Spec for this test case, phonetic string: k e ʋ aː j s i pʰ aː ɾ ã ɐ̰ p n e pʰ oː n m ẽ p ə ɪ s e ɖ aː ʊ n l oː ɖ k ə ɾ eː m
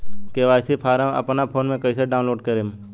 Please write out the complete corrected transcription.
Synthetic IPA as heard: k e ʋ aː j s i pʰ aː ɾ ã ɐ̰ p n a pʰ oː n m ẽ k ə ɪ s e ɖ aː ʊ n l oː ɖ k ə ɾ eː m